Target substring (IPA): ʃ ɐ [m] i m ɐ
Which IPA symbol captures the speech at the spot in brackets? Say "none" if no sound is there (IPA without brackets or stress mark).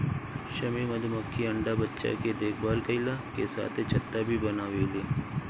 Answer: m